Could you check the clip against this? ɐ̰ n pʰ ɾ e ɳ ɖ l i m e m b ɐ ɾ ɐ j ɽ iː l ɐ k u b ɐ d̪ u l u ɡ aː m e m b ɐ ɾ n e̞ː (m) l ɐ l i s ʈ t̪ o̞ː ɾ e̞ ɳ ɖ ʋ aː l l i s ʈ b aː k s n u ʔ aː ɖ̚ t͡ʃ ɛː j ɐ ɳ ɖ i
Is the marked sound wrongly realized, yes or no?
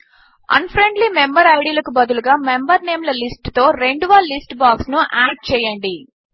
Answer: no